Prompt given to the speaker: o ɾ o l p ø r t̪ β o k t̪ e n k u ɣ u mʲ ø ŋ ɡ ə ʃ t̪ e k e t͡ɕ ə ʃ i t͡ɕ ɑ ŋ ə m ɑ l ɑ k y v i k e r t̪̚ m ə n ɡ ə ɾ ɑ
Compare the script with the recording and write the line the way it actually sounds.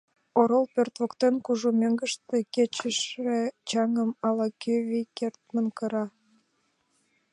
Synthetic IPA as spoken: o ɾ o l p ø r t̪ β o k t̪ e n k u ʒ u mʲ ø ŋ ɡ ə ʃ t̪ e k e t͡ɕ ə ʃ e t͡ɕ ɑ ŋ ə m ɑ l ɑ k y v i k e r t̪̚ m ə n k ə ɾ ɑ

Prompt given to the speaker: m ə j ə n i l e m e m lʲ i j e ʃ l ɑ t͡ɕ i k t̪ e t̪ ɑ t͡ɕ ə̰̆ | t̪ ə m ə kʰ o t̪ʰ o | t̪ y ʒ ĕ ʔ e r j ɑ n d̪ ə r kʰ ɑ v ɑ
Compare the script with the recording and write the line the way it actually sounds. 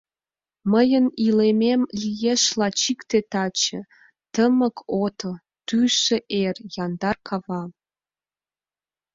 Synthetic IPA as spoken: m ə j ə n i l e m e m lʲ i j e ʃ l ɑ t͡ɕ i k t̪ e t̪ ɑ t͡ɕ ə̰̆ | t̪ ə m ə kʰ o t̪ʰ o | t̪ y ʃ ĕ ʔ e r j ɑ n d̪ ɑ r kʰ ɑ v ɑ

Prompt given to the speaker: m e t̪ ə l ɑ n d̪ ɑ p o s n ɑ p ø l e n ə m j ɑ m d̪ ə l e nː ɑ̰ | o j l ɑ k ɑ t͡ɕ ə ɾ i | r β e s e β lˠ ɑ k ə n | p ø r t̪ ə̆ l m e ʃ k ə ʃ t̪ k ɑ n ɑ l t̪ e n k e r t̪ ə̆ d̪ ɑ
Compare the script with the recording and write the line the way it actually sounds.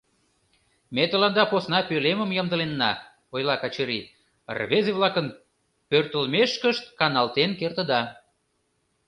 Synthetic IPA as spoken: m e t̪ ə l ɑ n d̪ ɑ p o s n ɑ p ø l e m ə m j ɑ m d̪ ə l e nː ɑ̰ | o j l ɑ k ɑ t͡ɕ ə ɾ i | r β e z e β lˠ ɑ k ə n | p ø r t̪ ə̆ l m e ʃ k ə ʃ t̪ k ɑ n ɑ l t̪ e n k e r t̪ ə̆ d̪ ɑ

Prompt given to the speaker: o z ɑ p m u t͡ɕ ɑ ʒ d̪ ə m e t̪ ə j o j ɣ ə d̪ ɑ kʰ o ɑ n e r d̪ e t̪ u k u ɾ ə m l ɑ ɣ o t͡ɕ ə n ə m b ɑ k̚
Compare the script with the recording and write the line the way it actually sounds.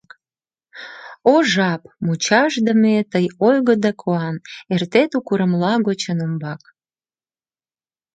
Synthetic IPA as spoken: o ʒ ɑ p m u t͡ɕ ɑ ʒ d̪ ə m e t̪ ə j o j ɣ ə d̪ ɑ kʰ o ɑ n e r t̪ e t̪ u k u ɾ ə m l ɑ ɣ o t͡ɕ ə n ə m b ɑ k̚

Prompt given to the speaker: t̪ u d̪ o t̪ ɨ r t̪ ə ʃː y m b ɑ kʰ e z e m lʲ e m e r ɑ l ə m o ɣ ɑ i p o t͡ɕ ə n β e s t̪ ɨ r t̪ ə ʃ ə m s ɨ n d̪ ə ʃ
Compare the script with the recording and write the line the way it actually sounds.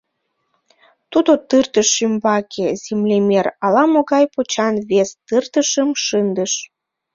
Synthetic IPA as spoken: t̪ u d̪ o t̪ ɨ r t̪ ə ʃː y m b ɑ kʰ e z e m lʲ e m e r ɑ l ɑ m o ɣ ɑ j p o t͡ɕ ɑ n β e s t̪ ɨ r t̪ ə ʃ ə m ʃ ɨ n d̪ ə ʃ

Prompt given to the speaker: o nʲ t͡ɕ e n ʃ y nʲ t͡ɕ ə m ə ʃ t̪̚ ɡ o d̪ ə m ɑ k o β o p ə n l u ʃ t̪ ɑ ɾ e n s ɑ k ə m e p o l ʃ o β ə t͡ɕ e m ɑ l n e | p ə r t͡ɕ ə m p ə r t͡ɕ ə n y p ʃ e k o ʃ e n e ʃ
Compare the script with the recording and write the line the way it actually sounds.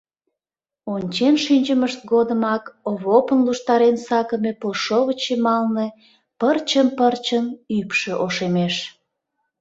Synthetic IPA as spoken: o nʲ t͡ɕ e n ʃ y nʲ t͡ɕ ə m ə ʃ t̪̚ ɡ o d̪ ə m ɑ k o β o p ə n l u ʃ t̪ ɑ ɾ e n s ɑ k ə m e p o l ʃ o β ə t͡ɕ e m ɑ l n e | p ə r t͡ɕ ə m p ə r t͡ɕ ə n y p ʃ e ʔ o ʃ e m e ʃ

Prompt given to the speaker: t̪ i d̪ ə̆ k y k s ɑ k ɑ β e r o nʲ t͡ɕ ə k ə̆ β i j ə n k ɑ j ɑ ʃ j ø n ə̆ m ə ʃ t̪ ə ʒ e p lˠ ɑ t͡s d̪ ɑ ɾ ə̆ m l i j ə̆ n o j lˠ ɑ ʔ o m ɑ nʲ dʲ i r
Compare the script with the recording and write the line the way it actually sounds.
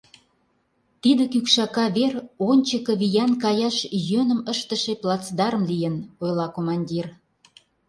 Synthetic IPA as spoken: t̪ i d̪ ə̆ k y k ʃ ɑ k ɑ β e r o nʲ t͡ɕ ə k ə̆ β i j ɑ n k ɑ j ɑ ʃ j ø n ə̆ m ə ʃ t̪ ə ʃ e p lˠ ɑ t͡s d̪ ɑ ɾ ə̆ m l i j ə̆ n o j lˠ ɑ k o m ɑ nʲ dʲ i r

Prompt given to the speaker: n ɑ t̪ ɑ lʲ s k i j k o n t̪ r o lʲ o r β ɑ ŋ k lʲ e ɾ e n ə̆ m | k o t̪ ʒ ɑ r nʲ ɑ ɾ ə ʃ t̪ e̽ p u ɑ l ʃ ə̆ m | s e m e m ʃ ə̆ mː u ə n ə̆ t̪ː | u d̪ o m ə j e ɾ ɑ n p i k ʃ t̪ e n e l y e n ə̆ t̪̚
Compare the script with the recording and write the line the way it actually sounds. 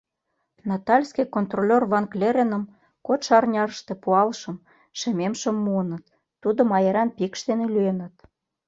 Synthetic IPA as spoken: n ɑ t̪ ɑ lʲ s k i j k o n t̪ r o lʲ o r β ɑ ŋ k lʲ e ɾ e n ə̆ m | k o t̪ ʃ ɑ r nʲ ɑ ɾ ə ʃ t̪ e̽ p u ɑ l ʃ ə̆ m | ʃ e m e m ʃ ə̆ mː u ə n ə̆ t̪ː | u d̪ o m ɑ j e ɾ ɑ n p i k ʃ t̪ e n e l y e n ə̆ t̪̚

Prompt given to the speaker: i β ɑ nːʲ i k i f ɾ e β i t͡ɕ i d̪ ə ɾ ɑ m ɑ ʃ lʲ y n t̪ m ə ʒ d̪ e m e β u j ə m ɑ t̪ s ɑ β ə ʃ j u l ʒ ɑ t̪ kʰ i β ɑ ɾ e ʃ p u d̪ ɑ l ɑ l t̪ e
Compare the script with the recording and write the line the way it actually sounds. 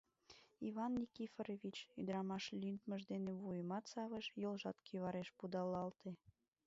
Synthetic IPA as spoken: i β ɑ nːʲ i k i f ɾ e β i t͡ɕ y d̪ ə ɾ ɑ m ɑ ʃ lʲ y n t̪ m ə ʒ d̪ e n e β u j ə m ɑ t̪ s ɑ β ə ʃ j o l ʒ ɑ t̪ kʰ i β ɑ ɾ e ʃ p u d̪ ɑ l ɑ l t̪ e

